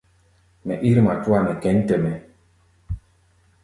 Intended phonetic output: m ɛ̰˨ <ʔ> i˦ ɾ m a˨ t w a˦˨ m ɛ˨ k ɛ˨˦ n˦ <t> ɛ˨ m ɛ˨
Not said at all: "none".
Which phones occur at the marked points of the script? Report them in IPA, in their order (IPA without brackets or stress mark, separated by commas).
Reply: ʔ, t